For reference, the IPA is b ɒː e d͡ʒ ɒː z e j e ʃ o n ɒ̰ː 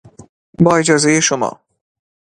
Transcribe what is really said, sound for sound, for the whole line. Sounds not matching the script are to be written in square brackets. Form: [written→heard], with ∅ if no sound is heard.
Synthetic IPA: b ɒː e d͡ʒ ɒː z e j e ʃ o [n→m] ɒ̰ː

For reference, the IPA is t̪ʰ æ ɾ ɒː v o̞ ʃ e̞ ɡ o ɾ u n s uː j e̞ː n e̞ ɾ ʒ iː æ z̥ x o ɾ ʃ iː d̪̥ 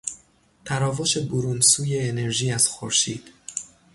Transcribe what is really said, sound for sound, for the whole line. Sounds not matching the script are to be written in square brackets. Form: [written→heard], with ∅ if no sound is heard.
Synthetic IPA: t̪ʰ æ ɾ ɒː v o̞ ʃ e̞ [ɡ→b] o ɾ u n s uː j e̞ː n e̞ ɾ ʒ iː æ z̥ x o ɾ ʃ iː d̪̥

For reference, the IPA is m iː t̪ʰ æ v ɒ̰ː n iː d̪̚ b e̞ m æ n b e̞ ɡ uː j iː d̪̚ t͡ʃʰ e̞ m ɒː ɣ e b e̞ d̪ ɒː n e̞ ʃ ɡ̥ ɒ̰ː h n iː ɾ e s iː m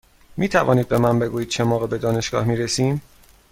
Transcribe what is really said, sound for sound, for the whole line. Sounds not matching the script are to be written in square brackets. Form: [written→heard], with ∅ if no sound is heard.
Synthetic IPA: m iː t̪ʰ æ v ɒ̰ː n iː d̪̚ b e̞ m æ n b e̞ ɡ uː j iː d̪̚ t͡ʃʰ e̞ m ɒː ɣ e b e̞ d̪ ɒː n e̞ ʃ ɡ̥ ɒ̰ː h [n→m] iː ɾ e s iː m

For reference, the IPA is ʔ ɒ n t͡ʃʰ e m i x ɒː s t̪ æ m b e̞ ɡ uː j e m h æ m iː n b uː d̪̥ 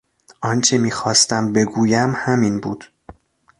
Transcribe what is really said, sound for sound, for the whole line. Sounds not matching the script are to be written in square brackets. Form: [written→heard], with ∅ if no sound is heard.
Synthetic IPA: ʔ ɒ n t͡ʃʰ e m [i→iː] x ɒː s t̪ æ m b e̞ ɡ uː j [e→æ] m h æ m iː n b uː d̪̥

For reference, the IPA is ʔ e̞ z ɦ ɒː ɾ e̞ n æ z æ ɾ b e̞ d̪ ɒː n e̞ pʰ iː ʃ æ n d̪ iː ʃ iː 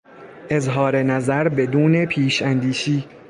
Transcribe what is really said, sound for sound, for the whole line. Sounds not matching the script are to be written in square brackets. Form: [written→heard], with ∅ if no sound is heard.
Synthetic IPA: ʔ e̞ z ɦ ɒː ɾ e̞ n æ z æ ɾ b e̞ d̪ [ɒː→uː] n e̞ pʰ iː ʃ æ n d̪ iː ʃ iː

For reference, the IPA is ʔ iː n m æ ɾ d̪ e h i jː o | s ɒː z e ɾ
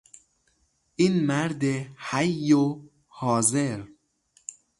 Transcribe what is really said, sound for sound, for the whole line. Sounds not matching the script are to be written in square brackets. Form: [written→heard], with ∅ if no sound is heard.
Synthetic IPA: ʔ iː n m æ ɾ d̪ e h [i→æ] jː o | [s→h] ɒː z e ɾ

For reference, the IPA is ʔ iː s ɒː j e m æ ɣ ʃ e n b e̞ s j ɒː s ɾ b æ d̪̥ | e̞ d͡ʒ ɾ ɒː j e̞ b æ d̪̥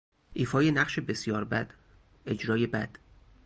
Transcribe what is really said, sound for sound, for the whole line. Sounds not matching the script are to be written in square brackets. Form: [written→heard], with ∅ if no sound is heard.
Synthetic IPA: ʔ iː [s→f] ɒː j e [m→n] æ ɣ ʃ e [n→∅] b e̞ s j ɒː [s→∅] ɾ b æ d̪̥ | e̞ d͡ʒ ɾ ɒː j e̞ b æ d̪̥

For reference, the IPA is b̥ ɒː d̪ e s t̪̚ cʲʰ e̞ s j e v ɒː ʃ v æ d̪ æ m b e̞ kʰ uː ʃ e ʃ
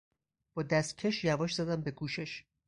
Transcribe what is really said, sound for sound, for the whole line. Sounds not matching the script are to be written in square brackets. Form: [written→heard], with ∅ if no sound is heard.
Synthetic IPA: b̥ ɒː d̪ [e→æ] s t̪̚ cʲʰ e̞ [s→ʃ] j [e→æ] v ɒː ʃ [v→z] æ d̪ æ m b e̞ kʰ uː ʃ e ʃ

